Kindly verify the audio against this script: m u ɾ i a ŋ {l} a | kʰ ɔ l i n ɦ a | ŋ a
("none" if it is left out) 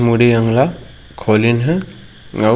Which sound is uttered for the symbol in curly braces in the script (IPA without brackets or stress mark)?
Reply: l